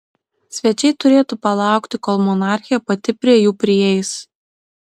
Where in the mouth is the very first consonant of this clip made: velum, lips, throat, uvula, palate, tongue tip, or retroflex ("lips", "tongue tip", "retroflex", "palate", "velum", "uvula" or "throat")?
tongue tip